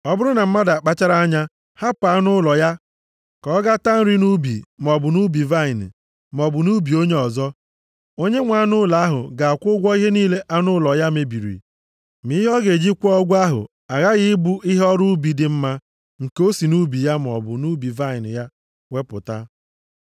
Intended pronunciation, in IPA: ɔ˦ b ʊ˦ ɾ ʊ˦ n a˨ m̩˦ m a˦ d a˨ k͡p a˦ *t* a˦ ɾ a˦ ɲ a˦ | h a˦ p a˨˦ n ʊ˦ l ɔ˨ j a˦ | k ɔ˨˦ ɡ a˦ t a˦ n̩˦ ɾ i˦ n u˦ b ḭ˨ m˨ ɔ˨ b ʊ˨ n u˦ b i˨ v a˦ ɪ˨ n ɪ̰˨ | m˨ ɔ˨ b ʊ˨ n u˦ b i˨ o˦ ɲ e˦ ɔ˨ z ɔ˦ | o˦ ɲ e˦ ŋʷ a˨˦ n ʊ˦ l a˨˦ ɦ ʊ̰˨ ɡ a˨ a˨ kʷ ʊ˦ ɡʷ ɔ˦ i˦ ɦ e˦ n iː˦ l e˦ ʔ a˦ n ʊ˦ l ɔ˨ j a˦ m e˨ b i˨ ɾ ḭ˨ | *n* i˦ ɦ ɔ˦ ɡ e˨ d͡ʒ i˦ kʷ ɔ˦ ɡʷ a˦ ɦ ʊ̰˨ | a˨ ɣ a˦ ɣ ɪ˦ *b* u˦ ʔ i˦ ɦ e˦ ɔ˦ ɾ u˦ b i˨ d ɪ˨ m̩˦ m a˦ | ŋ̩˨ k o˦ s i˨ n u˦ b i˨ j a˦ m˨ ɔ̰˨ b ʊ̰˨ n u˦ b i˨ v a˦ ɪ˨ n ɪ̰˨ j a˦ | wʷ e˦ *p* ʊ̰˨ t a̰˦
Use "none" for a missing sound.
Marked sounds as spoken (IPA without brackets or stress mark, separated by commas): t͡ʃ, m, b, p